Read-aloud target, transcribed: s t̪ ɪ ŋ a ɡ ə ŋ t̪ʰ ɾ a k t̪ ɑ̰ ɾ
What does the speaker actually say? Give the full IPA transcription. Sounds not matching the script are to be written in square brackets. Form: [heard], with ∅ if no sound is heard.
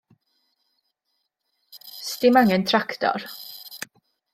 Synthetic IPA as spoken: s t̪ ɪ [m] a [ŋ] ə [n] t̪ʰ ɾ a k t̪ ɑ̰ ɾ